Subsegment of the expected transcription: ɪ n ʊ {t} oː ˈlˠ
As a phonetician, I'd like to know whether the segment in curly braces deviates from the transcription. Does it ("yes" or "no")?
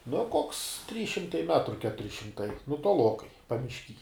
no